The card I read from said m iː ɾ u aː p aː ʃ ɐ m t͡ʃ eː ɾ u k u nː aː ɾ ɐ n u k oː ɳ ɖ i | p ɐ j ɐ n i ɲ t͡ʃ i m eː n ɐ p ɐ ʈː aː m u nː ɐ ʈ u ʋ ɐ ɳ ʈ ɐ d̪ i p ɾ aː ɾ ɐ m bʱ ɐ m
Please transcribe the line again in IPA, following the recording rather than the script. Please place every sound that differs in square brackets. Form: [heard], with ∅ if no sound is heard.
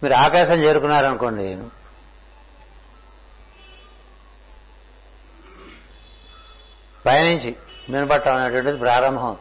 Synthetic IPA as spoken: m iː ɾ u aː [k] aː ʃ ɐ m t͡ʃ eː ɾ u k u nː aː ɾ ɐ n u k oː ɳ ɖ i | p ɐ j ɐ n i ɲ t͡ʃ i m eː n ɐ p ɐ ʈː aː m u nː ɐ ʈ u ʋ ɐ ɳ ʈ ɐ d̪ i p ɾ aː ɾ ɐ m bʱ ɐ m